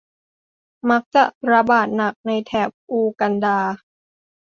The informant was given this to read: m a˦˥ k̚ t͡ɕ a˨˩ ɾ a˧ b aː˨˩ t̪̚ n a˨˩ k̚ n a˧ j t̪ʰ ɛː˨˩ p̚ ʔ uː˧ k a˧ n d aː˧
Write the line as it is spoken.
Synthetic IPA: m a˦˥ k̚ t͡ɕ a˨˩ ɾ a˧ b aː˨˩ t̪̚ n a˨˩ k̚ n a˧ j t̪ʰ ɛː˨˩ p̚ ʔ uː˧ k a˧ n d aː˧